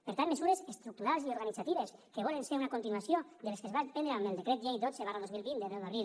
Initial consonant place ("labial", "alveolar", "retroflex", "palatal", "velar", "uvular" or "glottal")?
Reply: labial